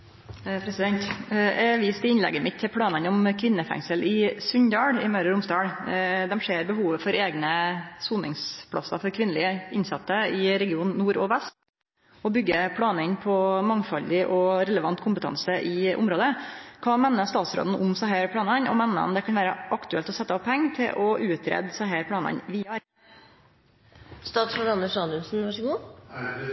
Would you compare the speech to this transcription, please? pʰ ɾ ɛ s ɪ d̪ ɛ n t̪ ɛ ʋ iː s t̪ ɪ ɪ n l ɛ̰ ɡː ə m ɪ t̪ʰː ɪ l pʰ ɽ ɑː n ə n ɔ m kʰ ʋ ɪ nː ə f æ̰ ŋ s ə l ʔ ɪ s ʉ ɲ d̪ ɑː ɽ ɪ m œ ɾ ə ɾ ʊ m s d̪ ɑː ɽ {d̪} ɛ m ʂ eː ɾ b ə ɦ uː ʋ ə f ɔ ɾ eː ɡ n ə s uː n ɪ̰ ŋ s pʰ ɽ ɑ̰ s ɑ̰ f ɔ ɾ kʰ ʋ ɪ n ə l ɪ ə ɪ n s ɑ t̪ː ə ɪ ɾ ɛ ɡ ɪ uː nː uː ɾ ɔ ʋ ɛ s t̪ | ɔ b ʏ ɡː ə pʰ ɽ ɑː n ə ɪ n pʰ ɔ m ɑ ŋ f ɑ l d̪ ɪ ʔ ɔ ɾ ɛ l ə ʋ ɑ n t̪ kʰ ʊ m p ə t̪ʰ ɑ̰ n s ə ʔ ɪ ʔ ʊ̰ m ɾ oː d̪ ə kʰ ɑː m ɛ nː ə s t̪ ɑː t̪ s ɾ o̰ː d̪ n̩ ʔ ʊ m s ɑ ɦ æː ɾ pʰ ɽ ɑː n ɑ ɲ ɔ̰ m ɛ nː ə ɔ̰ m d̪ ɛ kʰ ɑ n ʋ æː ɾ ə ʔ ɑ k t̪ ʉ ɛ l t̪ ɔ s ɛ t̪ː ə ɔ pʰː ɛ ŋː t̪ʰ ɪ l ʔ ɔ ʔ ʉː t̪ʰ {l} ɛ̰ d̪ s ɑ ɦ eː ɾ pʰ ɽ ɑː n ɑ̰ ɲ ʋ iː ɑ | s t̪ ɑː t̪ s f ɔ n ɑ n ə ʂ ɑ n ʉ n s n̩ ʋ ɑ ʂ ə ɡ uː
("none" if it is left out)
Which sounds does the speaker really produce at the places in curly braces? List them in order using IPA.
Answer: d̪, ɾ

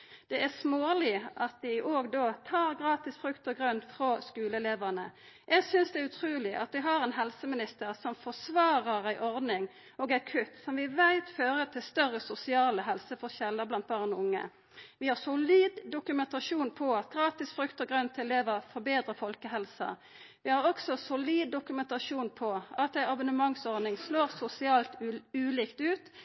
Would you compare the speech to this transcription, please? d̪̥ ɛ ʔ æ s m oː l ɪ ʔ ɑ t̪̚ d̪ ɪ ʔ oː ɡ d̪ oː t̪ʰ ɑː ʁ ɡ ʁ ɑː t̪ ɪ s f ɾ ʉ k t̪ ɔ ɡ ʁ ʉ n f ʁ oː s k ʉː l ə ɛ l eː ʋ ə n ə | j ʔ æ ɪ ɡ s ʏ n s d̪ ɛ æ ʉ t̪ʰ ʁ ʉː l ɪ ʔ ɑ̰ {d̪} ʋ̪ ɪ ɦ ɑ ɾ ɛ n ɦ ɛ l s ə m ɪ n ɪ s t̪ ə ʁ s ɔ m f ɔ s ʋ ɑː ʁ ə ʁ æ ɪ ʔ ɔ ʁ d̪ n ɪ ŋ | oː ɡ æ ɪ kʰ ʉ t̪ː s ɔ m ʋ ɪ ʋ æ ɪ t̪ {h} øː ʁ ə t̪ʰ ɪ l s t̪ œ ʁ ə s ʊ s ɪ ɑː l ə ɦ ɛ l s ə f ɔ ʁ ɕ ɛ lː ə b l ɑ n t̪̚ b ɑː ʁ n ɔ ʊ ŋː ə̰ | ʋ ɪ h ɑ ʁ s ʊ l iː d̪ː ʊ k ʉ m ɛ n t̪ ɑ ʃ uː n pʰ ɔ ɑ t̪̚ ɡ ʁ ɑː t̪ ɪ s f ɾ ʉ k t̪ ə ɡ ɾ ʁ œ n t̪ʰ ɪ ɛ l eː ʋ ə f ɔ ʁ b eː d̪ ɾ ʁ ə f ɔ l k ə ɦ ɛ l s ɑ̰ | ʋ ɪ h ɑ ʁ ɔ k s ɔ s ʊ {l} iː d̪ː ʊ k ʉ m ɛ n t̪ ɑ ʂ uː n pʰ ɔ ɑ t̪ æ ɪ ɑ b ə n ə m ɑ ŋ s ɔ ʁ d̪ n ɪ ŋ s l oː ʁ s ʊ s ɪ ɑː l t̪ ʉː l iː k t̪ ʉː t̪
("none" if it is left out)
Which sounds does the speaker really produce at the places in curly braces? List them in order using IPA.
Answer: t̪, f, l

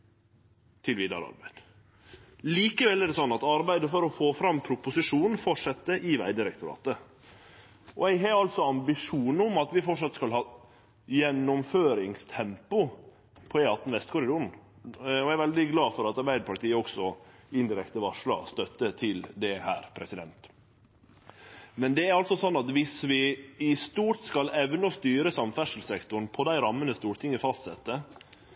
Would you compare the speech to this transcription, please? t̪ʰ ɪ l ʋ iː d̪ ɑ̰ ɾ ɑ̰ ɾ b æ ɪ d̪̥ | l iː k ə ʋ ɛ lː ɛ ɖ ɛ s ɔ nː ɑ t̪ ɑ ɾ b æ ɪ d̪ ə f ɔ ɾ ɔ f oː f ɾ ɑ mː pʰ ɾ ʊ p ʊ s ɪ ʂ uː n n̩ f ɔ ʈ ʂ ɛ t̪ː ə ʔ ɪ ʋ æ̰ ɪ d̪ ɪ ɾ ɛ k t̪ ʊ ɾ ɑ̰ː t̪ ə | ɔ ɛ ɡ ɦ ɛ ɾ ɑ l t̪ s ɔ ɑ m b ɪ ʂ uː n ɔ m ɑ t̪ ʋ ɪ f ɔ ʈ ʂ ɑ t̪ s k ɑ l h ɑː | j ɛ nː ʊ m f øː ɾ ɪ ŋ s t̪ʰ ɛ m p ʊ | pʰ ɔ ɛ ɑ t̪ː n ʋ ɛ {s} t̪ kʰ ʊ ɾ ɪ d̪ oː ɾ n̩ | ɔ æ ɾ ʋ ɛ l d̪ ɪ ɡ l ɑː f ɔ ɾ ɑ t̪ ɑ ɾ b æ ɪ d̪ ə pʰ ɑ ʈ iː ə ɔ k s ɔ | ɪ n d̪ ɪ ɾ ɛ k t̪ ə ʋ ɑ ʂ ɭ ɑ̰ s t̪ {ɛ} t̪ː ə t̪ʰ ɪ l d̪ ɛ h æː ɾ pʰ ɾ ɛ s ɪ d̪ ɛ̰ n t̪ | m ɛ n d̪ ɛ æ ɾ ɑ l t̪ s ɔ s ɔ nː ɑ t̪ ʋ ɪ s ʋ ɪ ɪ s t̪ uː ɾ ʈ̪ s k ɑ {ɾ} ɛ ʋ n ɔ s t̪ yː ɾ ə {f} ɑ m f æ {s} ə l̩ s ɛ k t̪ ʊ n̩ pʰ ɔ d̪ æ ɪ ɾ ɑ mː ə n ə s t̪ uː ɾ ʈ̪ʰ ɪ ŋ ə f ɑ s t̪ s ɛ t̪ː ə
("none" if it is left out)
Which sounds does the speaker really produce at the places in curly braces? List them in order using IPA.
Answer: s, œ, l, s, ʂ

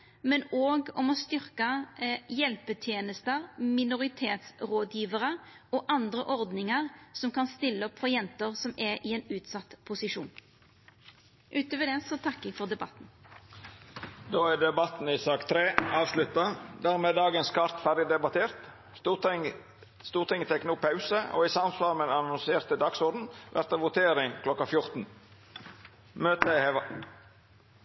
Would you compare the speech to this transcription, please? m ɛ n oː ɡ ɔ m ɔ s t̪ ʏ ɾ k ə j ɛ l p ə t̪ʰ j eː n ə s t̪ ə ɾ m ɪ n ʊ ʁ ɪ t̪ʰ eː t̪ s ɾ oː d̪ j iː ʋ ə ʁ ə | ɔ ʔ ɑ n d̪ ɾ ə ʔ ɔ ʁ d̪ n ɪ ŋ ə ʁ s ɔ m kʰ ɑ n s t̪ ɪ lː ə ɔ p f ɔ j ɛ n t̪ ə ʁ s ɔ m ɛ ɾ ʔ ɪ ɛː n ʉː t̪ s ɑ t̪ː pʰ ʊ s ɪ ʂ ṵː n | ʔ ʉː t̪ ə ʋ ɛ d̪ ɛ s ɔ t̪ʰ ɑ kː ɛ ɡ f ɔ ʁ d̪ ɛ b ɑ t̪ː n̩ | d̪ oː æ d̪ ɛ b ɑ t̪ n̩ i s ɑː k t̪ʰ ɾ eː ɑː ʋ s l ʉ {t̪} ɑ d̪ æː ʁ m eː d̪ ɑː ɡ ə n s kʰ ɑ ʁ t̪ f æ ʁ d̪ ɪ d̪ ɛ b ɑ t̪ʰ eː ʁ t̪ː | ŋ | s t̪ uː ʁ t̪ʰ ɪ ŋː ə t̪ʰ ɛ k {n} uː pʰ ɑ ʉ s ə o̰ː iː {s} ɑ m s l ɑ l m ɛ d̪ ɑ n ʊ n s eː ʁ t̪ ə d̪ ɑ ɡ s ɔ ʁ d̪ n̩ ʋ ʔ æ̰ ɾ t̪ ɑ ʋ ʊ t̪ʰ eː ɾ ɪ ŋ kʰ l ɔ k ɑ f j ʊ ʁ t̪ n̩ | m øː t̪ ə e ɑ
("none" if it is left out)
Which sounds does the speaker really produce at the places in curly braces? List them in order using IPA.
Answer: t̪, n, s

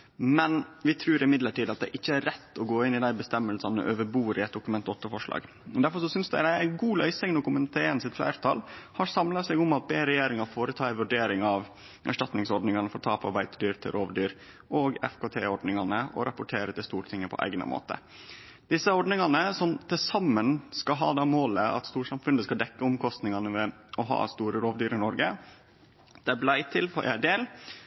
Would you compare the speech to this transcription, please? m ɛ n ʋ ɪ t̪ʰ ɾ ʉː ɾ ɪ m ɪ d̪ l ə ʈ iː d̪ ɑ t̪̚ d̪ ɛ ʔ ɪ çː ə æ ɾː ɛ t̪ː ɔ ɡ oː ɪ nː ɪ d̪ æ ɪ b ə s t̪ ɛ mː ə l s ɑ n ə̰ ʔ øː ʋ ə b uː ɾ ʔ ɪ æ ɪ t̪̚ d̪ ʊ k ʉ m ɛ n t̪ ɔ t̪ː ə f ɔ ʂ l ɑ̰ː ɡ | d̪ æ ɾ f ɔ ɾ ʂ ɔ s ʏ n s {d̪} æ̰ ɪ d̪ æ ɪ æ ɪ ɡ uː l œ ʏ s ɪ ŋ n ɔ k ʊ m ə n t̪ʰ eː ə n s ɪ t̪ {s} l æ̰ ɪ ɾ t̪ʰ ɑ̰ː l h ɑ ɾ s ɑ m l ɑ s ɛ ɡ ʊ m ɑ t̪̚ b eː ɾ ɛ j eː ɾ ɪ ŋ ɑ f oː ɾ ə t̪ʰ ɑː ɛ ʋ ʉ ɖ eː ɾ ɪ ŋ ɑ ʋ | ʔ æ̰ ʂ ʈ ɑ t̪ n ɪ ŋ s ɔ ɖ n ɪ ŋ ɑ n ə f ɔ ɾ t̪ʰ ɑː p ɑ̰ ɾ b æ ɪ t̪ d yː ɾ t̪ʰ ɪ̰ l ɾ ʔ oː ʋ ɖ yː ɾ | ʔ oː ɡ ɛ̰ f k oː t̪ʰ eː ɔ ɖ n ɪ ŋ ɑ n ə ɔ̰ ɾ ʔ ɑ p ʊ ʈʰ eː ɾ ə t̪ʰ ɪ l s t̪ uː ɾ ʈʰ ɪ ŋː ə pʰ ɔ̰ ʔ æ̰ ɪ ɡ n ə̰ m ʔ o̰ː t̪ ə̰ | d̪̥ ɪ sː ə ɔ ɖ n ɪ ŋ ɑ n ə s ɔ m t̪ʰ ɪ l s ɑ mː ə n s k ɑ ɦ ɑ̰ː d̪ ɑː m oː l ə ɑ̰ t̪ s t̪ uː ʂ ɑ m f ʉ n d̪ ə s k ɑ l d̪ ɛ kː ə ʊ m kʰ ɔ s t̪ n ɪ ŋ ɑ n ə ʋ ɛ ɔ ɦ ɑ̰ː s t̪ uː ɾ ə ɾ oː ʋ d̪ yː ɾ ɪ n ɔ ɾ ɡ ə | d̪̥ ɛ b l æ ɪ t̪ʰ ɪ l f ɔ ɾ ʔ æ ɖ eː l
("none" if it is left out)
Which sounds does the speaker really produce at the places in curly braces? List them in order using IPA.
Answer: d̪, f

